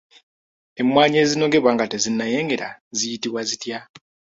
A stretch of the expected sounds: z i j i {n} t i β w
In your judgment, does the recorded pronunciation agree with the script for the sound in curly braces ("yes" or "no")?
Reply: no